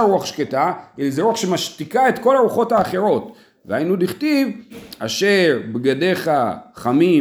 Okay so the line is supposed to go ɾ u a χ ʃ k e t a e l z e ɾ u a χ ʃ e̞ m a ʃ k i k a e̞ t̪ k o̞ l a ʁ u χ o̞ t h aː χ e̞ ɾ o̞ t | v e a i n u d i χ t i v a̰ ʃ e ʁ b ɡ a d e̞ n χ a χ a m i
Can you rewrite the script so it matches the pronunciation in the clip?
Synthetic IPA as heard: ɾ u a χ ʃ k e t a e l z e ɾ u a χ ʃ e̞ m a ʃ t i k a e̞ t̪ k o̞ l a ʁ u χ o̞ t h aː χ e̞ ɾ o̞ t | v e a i n u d i χ t i v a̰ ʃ e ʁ b ɡ a d e̞ χ a χ a m i